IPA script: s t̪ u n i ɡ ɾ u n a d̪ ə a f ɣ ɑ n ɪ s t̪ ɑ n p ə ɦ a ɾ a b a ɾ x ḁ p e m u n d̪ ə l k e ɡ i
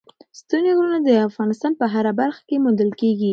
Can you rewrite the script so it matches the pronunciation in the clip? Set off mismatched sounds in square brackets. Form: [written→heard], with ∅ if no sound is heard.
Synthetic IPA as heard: s t̪ u n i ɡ ɾ u n a d̪ ə a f ɣ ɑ n ɪ s t̪ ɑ n p ə ɦ a ɾ a b a ɾ x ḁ [p→k] e m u n d̪ ə l k e ɡ i